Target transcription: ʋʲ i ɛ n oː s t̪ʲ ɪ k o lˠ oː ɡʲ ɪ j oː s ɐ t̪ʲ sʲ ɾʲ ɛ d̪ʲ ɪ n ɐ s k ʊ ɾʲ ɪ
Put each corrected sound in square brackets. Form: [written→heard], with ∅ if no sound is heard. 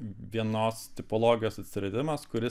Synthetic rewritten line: ʋʲ i ɛ n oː s t̪ʲ ɪ [k→p] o lˠ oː ɡʲ ɪ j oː s ɐ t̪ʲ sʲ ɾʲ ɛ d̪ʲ ɪ [n→m] ɐ s k ʊ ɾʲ ɪ